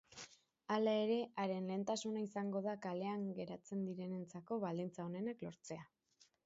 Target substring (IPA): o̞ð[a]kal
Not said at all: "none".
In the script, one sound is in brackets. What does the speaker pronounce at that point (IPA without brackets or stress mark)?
a